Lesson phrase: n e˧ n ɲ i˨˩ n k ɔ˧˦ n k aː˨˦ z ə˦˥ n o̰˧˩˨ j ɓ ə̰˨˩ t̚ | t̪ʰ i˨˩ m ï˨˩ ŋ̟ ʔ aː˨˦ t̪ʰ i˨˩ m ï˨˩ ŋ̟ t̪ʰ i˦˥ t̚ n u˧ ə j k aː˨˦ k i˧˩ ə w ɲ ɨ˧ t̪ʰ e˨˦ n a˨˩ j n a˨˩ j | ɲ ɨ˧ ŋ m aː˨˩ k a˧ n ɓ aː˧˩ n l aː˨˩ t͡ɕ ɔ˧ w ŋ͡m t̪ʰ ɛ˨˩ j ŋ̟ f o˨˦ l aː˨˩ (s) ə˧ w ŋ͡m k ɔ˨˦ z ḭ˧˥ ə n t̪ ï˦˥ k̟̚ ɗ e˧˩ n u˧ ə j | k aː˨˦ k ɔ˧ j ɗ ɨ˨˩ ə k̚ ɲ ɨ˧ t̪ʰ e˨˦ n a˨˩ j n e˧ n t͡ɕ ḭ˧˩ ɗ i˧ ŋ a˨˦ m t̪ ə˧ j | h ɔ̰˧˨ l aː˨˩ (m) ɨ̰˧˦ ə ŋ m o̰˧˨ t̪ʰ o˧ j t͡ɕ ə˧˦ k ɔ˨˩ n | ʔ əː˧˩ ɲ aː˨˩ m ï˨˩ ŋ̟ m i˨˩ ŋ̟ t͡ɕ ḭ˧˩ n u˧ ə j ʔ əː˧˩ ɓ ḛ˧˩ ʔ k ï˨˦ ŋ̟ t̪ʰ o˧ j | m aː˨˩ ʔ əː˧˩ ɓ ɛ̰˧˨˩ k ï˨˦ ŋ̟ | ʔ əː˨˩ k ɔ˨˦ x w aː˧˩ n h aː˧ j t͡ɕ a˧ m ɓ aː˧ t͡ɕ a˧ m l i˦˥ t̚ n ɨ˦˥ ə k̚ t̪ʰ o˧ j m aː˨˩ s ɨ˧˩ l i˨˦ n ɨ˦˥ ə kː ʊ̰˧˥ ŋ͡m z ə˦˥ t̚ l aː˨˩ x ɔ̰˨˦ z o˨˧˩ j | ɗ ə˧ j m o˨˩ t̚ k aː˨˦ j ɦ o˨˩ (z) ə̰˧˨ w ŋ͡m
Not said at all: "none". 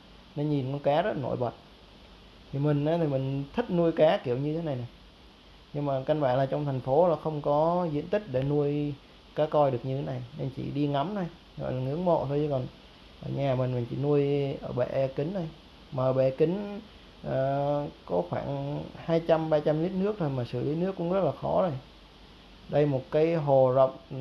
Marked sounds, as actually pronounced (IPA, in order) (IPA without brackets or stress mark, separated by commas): x, ŋ, z